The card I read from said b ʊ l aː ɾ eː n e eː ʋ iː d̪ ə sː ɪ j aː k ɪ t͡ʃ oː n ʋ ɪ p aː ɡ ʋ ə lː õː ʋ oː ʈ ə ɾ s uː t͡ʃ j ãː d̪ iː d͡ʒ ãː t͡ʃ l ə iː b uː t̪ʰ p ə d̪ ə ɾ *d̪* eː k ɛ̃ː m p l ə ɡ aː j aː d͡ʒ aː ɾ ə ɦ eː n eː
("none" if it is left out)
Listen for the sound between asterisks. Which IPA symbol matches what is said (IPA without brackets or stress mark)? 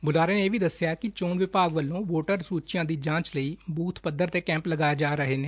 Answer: t̪